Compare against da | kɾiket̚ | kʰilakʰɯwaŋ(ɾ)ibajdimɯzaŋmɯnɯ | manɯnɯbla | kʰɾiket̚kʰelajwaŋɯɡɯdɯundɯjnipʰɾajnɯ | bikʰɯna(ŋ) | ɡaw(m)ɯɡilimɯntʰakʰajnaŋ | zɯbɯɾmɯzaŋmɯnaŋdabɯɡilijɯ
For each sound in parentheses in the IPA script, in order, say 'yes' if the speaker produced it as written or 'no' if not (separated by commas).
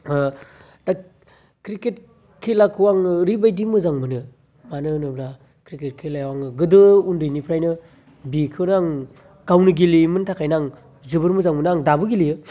yes, yes, no